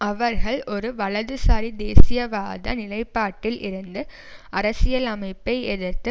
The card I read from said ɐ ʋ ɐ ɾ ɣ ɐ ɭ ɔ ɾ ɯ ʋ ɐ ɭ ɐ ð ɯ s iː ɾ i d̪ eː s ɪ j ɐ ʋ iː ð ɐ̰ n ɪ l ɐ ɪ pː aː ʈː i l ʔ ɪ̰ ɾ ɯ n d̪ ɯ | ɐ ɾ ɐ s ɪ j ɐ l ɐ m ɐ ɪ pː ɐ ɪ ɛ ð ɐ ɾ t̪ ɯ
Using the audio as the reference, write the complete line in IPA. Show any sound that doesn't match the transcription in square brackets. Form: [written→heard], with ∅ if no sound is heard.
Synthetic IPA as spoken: ɐ ʋ ɐ ɾ ɣ ɐ ɭ ɔ ɾ ɯ ʋ ɐ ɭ ɐ ð ɯ s [iː→aː] ɾ i d̪ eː s ɪ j ɐ ʋ [iː→aː] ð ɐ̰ n ɪ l ɐ ɪ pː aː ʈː [i→ɪ] l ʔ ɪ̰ ɾ ɯ n d̪ ɯ | ɐ ɾ ɐ s ɪ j ɐ l ɐ m ɐ ɪ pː ɐ ɪ ɛ ð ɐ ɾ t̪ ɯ